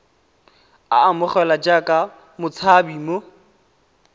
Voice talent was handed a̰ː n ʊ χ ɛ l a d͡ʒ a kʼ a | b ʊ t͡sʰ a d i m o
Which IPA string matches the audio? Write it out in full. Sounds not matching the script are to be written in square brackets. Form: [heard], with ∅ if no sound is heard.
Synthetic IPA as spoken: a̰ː [m] ʊ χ ɛ l a d͡ʒ a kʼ a | [m] ʊ t͡sʰ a [b] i m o